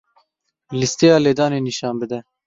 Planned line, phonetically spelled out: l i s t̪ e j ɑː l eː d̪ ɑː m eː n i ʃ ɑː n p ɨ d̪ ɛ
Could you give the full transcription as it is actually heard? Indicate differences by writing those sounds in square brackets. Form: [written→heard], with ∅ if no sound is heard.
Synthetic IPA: l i s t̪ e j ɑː l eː d̪ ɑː [m→n] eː n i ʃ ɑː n [p→b] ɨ d̪ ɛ